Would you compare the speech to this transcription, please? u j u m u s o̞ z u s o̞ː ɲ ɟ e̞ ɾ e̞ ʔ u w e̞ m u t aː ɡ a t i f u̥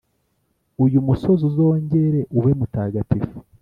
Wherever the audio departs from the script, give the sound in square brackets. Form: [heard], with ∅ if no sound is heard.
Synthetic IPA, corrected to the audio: u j u m u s o̞ z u [z] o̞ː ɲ ɟ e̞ ɾ e̞ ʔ u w e̞ m u t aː ɡ a t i f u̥